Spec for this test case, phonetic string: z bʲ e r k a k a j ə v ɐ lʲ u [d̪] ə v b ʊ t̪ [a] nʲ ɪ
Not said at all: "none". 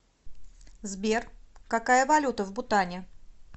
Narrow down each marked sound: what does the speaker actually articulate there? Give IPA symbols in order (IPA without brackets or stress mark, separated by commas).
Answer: t̪, a